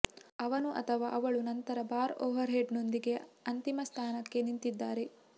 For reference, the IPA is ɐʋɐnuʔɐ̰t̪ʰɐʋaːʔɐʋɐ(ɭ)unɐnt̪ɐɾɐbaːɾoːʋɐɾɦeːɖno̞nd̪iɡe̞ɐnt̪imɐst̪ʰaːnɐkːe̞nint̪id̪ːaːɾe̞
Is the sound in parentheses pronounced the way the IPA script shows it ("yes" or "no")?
yes